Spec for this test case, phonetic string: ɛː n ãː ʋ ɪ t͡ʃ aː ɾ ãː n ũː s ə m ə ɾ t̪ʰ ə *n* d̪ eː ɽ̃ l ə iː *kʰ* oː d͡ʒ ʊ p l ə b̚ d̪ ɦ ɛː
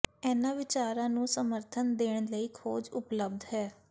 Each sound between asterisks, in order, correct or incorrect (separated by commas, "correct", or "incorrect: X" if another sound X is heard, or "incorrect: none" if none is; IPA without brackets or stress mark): correct, correct